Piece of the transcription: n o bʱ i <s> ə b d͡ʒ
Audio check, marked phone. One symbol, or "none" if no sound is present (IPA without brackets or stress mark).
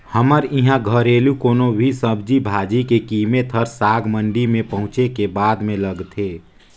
s